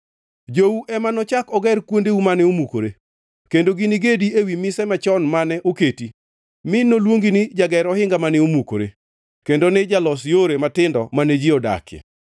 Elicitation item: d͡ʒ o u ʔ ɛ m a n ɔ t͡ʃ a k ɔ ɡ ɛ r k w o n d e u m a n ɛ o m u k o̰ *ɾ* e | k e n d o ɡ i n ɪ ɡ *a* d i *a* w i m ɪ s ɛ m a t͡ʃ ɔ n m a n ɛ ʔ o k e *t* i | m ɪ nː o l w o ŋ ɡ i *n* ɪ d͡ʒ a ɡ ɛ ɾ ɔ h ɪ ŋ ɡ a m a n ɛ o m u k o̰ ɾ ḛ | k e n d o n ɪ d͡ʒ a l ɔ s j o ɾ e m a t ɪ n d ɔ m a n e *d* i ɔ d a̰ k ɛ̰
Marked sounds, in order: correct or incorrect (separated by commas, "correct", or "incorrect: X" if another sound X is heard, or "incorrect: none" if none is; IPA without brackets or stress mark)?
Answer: correct, incorrect: e, incorrect: e, correct, correct, incorrect: d͡ʒ